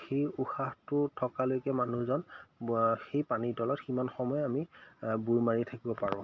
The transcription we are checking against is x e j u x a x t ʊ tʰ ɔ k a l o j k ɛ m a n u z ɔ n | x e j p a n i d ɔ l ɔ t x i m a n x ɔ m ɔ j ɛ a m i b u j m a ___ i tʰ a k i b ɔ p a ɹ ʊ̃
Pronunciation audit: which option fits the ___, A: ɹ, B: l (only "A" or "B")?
A